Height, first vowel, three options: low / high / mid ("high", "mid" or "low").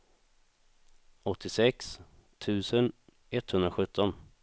mid